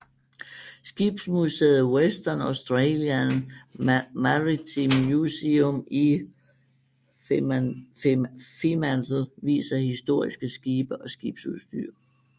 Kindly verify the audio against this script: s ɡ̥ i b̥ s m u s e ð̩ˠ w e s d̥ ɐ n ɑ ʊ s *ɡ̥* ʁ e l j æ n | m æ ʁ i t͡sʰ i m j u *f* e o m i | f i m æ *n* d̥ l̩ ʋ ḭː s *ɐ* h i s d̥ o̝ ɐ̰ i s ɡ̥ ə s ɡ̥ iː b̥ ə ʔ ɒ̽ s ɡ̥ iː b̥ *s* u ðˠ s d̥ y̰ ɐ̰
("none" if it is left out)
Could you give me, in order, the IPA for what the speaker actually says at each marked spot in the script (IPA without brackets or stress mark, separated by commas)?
d̥, s, n, ɐ, s